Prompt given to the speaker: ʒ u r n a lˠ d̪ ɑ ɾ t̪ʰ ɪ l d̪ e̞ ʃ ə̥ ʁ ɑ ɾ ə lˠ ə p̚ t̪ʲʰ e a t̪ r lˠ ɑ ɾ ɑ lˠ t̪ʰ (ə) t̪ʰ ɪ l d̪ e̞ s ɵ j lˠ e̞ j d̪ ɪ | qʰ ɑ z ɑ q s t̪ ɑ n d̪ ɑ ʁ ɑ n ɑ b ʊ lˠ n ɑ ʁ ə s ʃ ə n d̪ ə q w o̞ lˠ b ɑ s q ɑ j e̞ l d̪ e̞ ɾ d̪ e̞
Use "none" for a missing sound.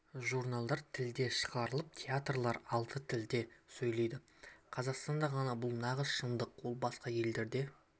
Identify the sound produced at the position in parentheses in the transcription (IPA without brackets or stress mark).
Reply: ə